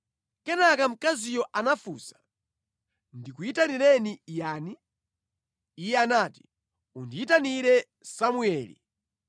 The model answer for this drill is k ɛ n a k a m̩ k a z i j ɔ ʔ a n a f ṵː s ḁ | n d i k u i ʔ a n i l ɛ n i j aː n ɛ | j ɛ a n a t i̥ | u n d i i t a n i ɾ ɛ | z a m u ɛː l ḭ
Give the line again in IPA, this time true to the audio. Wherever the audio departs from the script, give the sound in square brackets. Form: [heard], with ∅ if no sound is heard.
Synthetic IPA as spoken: k ɛ n a k a m̩ k a z i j ɔ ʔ a n a f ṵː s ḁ | n d i k u i [t] a n i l ɛ n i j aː n [i] | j ɛ a n a t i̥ | u n d i i t a n i ɾ ɛ | [s] a m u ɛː l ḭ

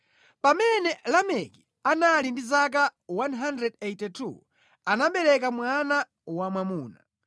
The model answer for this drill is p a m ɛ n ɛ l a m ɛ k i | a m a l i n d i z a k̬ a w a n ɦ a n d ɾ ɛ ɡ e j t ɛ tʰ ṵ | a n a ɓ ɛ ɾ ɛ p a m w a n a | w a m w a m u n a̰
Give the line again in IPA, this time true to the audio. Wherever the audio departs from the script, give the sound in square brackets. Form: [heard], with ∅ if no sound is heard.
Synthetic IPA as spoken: p a m ɛ n ɛ l a m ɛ k i | a [n] a l i n d i z a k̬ a w a n ɦ a n d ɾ ɛ [d] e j t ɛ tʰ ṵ | a n a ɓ ɛ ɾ ɛ [k] a m w a n a | w a m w a m [uː] n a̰

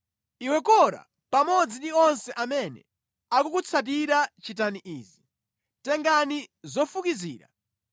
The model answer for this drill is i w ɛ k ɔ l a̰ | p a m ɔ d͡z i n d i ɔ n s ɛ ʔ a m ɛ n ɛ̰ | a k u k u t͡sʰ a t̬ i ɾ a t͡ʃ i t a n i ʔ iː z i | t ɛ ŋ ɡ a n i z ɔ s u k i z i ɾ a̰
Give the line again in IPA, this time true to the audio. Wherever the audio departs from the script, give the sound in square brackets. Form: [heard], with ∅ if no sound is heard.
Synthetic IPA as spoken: i w ɛ k ɔ [ɾ] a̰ | p a m ɔ d͡z i n d i ɔ n s ɛ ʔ a m ɛ n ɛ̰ | a k u k u t͡sʰ a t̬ i ɾ a t͡ʃ i t a n i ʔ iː z i | t ɛ ŋ ɡ a n i z ɔ [f] u k i z [iː] ɾ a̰

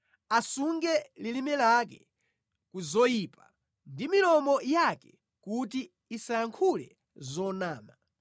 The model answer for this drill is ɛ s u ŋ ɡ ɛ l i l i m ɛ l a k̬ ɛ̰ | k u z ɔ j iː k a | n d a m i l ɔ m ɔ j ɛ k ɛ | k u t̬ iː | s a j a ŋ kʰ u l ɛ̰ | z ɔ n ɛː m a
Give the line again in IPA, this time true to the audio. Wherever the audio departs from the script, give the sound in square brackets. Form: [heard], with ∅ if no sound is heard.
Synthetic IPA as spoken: [a] s u ŋ ɡ ɛ l i l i m ɛ l a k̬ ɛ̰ | k u z ɔ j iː [p] a | n d [i] m i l ɔ m ɔ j [a] k ɛ | k u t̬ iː | s a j a ŋ kʰ u l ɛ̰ | z ɔ n [aː] m a

